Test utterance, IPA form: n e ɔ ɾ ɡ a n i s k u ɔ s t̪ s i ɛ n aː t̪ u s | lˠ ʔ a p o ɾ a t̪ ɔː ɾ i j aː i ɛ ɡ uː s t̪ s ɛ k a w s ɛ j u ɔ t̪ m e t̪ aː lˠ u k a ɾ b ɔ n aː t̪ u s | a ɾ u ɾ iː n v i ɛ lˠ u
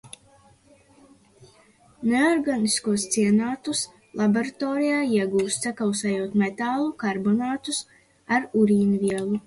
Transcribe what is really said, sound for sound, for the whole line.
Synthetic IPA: n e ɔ ɾ ɡ a n i s k u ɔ s t̪ s i ɛ n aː t̪ u s | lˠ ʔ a b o ɾ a t̪ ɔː ɾ i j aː i ɛ ɡ uː s t̪ s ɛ k a w s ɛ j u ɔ t̪ m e t̪ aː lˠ u k a ɾ b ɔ n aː t̪ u s | a ɾ u ɾ iː n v i ɛ lˠ u